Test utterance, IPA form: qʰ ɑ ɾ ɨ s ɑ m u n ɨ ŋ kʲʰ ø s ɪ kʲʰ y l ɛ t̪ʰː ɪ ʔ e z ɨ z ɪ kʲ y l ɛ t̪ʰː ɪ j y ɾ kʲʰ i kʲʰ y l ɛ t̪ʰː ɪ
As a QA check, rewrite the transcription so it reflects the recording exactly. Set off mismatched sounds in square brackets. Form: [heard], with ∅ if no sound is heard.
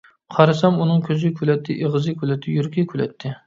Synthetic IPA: qʰ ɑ ɾ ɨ s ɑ m u n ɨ ŋ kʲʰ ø [z] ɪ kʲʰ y l ɛ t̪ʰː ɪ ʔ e [ʁ] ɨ z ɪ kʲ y l ɛ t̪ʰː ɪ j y ɾ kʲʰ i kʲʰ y l ɛ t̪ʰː ɪ